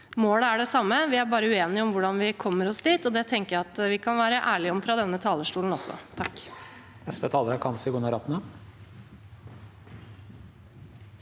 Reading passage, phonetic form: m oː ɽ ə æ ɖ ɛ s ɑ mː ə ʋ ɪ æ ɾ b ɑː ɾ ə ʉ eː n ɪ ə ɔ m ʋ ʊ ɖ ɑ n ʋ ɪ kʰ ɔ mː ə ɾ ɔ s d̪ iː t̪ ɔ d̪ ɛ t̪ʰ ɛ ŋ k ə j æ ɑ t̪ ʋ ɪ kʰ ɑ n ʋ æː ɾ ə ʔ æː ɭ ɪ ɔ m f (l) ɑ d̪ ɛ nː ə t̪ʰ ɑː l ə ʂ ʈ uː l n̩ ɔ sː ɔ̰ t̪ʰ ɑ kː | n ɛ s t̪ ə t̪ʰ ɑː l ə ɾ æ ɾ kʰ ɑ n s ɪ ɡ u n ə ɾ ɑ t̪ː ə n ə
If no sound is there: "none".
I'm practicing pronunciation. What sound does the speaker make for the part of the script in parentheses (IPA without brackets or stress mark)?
ɾ